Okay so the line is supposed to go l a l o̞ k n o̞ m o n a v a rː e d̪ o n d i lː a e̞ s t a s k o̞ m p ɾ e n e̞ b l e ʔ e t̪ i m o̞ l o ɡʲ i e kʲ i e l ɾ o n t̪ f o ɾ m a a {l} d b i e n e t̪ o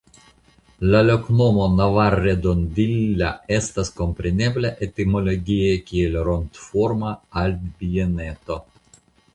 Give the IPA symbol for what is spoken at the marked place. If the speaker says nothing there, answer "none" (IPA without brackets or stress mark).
l